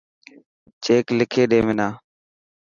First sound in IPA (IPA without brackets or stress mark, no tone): t͡ʃ